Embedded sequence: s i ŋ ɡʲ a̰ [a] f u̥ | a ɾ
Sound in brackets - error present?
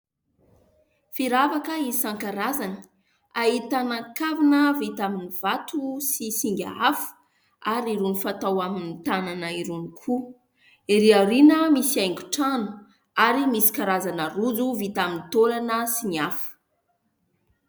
no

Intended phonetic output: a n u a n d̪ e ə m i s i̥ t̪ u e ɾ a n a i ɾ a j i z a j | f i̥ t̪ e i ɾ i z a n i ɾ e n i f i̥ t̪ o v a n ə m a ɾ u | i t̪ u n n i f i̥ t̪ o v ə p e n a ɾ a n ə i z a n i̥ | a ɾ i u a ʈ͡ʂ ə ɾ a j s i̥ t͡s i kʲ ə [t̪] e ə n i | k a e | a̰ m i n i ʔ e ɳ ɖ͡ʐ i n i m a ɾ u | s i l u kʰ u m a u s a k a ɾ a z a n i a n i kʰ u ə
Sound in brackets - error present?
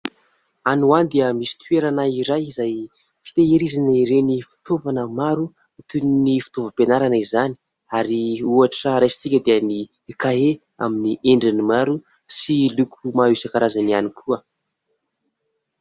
yes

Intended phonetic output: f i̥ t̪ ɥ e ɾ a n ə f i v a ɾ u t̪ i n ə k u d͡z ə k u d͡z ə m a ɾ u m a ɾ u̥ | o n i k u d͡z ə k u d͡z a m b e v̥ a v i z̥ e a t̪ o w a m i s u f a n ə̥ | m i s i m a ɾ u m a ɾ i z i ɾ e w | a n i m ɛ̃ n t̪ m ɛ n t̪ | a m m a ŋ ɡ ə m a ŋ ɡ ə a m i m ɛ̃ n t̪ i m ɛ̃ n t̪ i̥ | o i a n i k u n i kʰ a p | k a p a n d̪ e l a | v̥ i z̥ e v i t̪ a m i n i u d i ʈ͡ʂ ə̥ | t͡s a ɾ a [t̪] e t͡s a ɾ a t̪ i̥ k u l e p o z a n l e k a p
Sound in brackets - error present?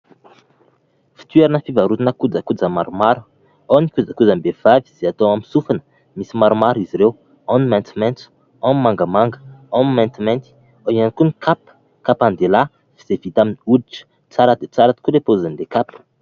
yes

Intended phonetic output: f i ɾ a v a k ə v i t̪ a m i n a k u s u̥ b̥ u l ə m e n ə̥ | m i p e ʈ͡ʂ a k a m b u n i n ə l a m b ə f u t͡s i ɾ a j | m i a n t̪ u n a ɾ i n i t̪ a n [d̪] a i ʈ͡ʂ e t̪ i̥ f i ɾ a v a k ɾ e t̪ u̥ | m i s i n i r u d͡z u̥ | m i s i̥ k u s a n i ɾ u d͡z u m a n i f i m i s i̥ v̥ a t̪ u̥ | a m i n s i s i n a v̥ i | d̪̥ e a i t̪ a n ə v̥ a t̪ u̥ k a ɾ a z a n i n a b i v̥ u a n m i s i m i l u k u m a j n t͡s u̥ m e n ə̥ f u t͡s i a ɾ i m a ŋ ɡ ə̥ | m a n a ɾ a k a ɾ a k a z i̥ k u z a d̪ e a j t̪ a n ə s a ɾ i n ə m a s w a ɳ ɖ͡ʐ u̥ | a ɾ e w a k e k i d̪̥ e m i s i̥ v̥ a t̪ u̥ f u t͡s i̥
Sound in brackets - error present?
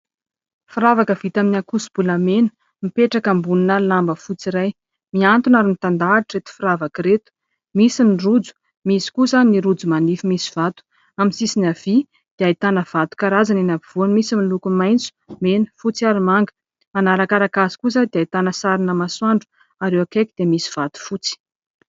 no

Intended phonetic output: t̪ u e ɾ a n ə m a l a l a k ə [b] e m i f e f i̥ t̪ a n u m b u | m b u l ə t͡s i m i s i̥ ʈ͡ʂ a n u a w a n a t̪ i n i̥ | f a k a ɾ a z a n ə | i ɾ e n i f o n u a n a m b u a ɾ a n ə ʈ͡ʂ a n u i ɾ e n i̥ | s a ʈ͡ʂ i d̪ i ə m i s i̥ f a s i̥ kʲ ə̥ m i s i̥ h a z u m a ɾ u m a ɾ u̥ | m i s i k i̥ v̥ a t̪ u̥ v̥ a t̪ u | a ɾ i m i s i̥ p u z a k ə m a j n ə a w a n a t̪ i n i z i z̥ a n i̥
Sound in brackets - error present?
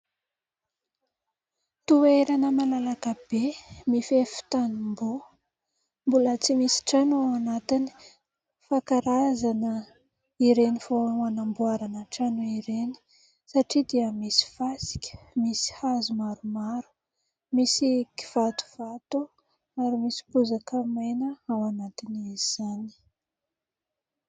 no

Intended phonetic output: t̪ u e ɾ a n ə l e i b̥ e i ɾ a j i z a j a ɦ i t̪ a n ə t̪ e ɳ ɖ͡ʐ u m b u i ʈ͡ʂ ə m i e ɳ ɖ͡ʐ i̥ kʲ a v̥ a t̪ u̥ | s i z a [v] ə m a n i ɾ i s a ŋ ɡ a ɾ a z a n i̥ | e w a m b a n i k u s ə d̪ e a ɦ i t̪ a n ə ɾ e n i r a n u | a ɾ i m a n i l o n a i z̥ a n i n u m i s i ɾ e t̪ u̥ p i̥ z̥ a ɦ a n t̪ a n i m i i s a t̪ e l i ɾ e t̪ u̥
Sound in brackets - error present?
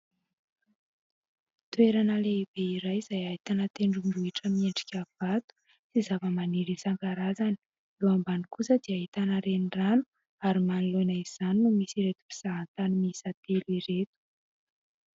no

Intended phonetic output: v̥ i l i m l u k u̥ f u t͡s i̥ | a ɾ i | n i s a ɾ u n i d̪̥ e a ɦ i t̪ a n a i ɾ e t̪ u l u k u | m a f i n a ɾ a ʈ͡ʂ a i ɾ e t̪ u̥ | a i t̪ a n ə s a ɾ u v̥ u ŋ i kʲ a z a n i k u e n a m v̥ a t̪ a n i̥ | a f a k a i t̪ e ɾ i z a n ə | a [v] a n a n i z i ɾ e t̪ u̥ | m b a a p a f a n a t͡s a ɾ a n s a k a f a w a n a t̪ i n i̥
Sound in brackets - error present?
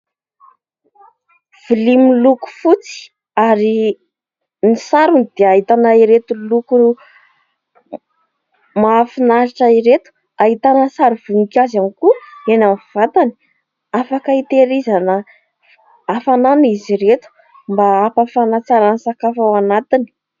yes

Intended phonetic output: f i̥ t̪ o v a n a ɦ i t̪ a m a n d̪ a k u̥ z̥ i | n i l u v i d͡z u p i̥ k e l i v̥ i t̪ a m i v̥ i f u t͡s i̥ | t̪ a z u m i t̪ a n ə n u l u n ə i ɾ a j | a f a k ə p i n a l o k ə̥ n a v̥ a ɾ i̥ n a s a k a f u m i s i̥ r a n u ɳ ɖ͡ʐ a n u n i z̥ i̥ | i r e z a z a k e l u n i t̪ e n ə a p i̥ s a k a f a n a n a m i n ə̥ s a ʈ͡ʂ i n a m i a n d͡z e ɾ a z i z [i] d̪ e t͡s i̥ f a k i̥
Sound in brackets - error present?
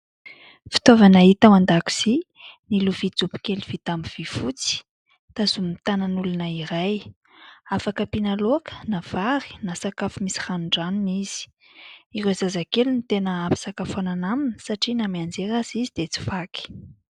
no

